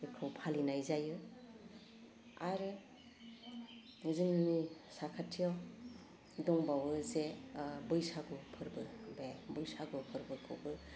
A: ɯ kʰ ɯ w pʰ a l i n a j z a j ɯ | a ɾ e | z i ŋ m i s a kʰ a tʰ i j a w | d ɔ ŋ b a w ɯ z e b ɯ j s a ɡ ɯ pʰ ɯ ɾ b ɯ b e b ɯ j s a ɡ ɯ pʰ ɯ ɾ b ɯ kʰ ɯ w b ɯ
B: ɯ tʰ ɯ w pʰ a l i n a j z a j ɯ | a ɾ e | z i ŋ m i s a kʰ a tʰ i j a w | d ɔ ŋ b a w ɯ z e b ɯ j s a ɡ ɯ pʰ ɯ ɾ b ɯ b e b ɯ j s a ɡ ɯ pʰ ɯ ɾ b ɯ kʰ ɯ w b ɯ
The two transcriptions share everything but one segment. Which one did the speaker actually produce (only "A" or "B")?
A